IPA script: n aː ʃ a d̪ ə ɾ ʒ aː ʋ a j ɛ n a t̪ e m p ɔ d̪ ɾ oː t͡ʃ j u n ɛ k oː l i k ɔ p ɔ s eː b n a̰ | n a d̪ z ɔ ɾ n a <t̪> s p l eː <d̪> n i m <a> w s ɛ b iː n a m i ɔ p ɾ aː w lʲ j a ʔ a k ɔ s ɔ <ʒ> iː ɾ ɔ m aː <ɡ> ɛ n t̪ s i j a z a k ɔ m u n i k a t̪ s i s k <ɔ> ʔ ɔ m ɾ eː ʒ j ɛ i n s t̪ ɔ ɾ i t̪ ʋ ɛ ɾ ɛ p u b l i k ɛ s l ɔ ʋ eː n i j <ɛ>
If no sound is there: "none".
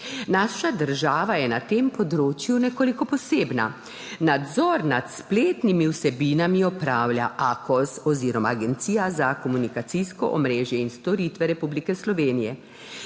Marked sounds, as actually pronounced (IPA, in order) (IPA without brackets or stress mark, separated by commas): t̪, t̪, i, z, ɡ, ɔ, ɛ